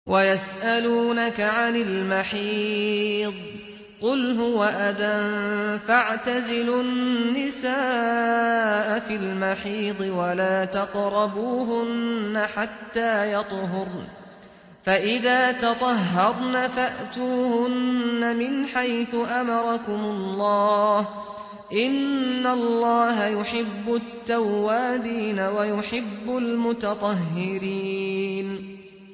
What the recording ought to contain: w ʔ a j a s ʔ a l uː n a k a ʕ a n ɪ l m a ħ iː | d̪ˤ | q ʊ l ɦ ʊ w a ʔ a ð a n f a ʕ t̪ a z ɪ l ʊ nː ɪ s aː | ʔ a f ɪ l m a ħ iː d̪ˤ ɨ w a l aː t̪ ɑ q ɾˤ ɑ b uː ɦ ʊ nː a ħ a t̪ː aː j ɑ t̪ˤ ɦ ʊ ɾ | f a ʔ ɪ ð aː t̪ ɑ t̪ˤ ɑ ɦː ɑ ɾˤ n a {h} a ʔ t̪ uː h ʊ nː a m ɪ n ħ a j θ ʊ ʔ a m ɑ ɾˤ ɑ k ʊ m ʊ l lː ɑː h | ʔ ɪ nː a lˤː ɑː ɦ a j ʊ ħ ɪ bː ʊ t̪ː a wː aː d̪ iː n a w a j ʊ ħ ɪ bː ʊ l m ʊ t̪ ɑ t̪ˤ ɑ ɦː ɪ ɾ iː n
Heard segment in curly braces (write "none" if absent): f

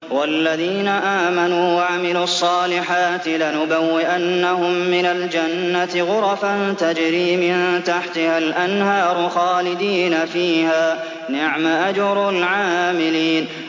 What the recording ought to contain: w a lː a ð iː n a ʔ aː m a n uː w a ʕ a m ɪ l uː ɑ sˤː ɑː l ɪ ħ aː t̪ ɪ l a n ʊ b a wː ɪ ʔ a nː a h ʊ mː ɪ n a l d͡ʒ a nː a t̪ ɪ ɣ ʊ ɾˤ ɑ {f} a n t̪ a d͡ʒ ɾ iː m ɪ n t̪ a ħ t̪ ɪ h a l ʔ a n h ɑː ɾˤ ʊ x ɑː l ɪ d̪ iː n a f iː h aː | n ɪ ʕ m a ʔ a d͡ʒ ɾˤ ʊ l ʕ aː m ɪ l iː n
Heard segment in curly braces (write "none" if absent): f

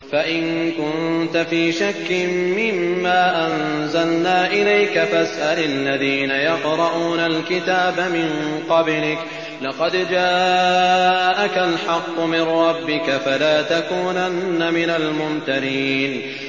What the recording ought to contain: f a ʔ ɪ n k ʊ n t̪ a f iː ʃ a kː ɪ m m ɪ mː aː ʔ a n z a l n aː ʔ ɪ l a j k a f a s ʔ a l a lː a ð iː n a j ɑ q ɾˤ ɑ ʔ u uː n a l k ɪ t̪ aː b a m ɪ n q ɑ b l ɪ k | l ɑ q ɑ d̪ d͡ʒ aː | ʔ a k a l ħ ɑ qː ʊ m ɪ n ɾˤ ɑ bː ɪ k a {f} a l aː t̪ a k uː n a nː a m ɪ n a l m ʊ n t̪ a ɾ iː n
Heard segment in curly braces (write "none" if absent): f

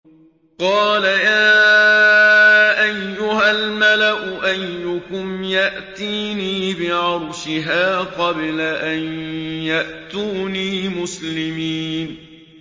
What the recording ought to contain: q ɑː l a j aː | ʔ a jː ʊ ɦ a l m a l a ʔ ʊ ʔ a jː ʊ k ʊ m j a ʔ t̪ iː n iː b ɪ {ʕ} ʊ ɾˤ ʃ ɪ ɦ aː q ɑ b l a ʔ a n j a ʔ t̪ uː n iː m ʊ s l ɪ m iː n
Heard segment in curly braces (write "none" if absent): ʕ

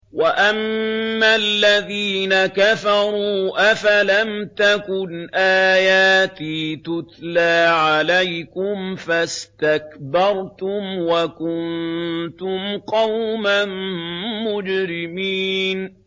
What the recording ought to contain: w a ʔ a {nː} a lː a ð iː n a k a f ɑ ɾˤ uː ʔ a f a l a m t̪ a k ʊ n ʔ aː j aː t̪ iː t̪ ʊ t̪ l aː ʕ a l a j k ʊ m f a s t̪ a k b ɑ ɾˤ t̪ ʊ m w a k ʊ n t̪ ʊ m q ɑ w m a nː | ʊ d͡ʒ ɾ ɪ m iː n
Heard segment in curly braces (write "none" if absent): mː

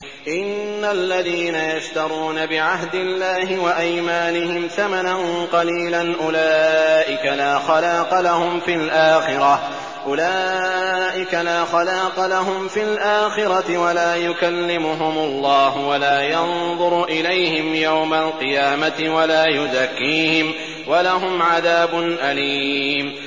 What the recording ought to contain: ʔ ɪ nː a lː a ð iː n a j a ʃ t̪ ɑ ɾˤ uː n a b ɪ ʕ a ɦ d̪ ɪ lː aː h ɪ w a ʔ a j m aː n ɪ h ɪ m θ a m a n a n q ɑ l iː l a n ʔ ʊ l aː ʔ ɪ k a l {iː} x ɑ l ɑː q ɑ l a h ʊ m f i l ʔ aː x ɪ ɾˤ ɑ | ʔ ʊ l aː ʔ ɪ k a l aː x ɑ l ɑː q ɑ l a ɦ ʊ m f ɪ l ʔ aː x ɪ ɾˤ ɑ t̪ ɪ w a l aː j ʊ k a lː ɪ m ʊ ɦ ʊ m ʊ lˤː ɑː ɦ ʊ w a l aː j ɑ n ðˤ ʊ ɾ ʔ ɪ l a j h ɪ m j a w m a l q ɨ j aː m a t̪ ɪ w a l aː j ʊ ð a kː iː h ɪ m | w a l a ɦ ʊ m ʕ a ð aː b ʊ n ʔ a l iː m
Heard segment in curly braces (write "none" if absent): aː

